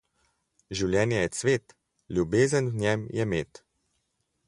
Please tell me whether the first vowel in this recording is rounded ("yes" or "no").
no